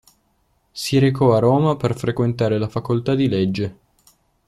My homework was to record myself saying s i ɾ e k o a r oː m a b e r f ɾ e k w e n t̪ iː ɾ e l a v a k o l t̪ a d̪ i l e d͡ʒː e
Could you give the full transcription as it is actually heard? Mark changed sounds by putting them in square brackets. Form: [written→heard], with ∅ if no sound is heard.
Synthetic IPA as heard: s i ɾ e k [o→ɔ] a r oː m a [b→p] e r f ɾ e k w e n t̪ [iː→aː] ɾ e l a [v→f] a k o l t̪ a d̪ i l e d͡ʒː e